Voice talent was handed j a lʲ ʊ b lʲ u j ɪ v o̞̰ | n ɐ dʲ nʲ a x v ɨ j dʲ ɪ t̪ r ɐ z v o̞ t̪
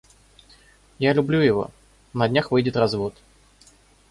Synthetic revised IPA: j a lʲ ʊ b lʲ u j ɪ v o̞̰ | n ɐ dʲ nʲ a x v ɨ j dʲ ɪ t̪ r ɐ z v o̞ t̪